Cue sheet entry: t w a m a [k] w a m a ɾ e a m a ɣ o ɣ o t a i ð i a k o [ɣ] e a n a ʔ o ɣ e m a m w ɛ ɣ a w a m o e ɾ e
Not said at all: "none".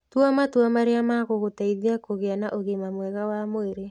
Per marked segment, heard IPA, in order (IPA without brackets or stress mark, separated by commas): t, ɣ